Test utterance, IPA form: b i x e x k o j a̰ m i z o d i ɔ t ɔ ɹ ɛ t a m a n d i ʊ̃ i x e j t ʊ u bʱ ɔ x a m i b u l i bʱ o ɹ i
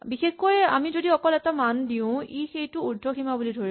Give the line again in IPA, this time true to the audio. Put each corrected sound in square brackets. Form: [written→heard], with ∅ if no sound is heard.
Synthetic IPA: b i x e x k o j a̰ m i z o d i ɔ [t→k] ɔ [ɹ→l] ɛ t a m a n d i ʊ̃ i x e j t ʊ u [bʱ→dʱ] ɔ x [a→i] m [i→a] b u l i [bʱ→dʱ] o ɹ i